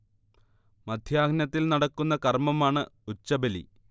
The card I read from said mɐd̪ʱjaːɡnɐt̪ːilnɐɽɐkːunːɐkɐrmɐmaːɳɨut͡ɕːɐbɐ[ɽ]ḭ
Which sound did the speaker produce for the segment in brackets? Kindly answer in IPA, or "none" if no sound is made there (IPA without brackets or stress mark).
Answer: l